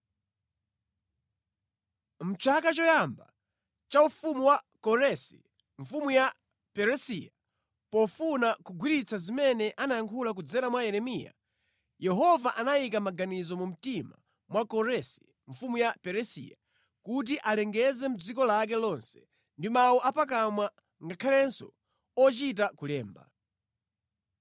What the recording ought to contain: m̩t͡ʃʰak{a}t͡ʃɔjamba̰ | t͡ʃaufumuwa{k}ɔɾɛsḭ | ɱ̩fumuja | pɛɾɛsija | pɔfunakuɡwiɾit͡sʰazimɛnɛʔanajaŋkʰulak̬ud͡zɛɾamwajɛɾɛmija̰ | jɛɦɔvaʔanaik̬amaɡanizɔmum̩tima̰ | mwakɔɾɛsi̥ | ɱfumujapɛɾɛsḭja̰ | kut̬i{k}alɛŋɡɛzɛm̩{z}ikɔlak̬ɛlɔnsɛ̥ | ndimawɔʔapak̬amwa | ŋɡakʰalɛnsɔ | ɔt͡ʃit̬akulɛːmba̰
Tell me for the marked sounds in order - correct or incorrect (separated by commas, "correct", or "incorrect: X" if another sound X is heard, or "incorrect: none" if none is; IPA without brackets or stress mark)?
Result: correct, correct, incorrect: ʔ, incorrect: d͡z